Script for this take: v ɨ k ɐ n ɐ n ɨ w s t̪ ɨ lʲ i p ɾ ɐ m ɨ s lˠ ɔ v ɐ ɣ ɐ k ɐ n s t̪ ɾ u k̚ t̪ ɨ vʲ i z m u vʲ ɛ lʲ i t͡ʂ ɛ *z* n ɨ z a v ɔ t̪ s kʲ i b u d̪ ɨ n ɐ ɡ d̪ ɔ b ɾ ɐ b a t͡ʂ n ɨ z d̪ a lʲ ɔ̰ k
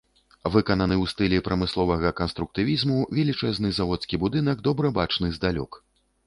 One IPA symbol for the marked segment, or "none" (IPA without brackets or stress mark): z